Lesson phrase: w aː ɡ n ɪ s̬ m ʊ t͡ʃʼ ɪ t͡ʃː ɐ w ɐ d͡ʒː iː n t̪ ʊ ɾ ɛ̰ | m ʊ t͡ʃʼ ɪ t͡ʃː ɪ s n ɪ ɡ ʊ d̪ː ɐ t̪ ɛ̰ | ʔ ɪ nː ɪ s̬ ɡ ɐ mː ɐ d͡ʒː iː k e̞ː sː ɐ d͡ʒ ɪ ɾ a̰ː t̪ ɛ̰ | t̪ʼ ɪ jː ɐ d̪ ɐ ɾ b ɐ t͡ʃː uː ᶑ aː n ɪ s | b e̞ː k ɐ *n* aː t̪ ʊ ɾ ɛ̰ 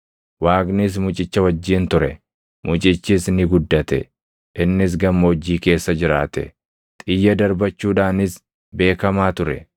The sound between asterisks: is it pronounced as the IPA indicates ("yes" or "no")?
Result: no